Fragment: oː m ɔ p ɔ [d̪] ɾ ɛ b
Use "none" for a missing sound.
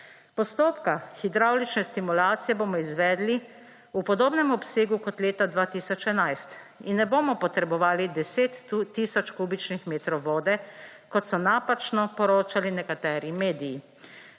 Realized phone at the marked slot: t̪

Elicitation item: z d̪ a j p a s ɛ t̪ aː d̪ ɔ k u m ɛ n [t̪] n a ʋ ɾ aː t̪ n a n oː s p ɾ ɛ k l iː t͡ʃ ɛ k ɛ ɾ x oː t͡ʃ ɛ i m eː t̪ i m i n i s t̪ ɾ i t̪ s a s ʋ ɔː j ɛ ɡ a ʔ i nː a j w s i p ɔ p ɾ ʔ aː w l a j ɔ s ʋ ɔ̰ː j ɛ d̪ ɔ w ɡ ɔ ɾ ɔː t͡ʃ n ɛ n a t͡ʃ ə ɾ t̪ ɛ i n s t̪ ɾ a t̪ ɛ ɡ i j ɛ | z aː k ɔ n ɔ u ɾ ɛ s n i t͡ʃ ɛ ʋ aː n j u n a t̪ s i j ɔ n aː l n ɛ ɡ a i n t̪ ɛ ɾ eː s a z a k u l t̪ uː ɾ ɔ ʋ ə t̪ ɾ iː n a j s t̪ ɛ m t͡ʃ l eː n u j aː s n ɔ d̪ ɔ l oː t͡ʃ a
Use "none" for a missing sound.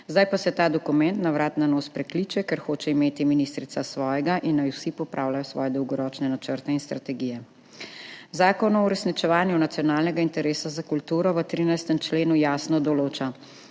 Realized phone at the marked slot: t̪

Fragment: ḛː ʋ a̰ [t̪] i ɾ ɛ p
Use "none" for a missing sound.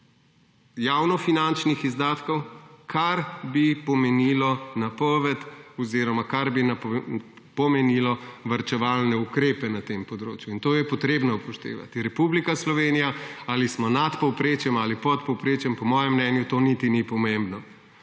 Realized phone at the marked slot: t̪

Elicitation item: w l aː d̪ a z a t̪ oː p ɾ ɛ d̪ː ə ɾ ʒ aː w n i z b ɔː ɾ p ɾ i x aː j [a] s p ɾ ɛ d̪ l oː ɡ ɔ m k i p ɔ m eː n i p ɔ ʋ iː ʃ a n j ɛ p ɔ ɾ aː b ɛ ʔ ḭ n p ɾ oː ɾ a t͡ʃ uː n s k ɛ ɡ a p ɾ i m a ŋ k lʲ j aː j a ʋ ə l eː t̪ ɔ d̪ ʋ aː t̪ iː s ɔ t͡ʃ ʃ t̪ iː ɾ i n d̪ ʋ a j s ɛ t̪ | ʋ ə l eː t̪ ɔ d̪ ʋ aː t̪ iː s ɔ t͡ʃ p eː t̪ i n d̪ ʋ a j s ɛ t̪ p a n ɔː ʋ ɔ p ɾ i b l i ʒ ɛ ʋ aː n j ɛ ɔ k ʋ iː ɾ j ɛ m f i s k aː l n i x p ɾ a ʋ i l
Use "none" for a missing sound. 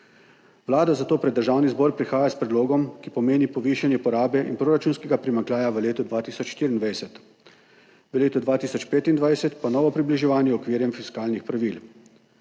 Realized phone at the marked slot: a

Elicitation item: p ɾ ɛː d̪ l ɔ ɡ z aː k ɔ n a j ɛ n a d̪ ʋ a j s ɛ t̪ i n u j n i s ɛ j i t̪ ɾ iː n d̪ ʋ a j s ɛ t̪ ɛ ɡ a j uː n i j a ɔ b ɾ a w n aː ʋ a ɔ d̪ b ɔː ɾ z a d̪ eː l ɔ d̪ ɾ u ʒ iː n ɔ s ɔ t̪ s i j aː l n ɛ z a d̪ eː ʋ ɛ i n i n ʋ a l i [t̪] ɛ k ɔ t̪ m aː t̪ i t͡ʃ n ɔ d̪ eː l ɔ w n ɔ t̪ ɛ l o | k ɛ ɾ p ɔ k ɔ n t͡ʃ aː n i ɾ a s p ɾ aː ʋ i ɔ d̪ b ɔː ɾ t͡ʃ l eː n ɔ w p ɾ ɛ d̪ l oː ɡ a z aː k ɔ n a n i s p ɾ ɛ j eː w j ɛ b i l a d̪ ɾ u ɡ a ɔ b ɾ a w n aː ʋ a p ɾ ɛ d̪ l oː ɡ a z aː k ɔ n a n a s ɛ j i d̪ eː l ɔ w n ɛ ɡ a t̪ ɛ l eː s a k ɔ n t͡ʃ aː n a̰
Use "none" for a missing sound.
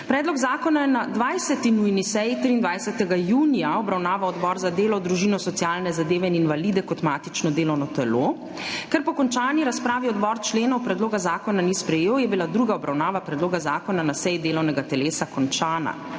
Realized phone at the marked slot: d̪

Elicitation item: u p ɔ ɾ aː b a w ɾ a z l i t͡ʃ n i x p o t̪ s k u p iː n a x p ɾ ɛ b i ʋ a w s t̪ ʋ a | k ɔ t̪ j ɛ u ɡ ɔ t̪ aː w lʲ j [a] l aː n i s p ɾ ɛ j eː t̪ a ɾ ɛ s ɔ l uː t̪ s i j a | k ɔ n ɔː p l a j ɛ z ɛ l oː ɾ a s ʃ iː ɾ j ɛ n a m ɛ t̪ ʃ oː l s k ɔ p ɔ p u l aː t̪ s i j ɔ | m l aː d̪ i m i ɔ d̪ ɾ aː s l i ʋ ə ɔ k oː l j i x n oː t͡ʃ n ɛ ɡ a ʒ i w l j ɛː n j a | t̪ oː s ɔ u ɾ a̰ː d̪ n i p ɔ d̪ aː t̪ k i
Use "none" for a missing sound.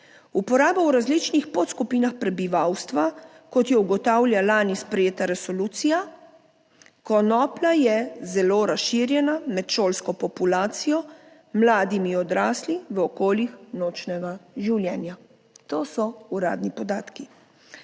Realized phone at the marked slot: a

